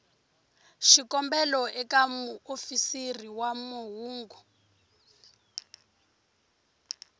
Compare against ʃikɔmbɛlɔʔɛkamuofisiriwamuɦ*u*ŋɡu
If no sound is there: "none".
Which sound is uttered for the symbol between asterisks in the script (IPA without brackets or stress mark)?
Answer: uː